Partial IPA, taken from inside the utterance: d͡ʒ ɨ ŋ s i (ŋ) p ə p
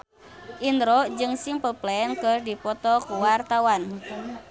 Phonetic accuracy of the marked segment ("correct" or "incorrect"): correct